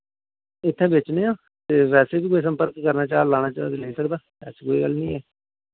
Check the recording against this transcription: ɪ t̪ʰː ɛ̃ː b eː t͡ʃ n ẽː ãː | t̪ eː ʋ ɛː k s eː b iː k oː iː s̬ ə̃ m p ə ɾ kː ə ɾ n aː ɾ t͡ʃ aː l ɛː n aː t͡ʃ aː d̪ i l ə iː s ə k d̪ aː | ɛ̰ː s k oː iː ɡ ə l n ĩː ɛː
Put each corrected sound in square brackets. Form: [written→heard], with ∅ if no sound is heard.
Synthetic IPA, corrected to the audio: ɪ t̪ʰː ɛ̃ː b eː t͡ʃ n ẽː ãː | t̪ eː ʋ ɛː [k→∅] s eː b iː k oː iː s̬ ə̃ m p ə ɾ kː ə ɾ n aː [ɾ→∅] t͡ʃ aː l [ɛː→aː] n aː t͡ʃ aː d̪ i l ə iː s ə k d̪ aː | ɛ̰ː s k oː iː ɡ ə l n ĩː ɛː